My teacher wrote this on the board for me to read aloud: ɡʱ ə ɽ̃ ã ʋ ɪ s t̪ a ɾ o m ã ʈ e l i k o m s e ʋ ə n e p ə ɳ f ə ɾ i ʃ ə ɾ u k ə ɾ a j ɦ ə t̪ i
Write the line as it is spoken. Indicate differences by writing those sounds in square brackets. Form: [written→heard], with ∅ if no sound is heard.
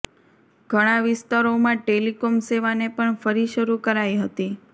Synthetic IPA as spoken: ɡʱ ə ɽ̃ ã ʋ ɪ s t̪ a ɾ o m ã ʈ e l i k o m s e ʋ [ə→a] n e p ə ɳ f ə ɾ i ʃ ə ɾ u k ə ɾ a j ɦ ə t̪ i